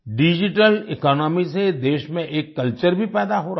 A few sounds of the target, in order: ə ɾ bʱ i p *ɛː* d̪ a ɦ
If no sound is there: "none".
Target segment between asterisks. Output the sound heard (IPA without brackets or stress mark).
ɛː